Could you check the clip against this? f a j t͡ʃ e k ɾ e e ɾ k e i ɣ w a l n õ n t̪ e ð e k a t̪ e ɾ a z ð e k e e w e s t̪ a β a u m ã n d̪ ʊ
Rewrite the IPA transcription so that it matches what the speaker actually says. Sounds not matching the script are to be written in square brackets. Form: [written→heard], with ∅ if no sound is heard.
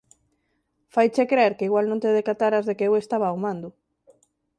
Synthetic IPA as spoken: f a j t͡ʃ e k ɾ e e ɾ k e i ɣ w a l n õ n t̪ e ð e k a t̪ [e→a] ɾ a z ð e k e e w e s t̪ a β a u m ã n d̪ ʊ